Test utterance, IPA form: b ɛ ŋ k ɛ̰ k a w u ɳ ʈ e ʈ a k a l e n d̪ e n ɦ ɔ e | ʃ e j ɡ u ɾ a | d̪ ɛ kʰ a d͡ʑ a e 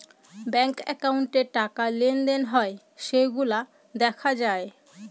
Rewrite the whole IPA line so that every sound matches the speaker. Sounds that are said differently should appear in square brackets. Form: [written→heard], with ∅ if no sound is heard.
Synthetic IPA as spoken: b ɛ ŋ k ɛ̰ k a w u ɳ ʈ e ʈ a k a l e n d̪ e n ɦ ɔ e | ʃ e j ɡ u [ɾ→l] a | d̪ ɛ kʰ a d͡ʑ a e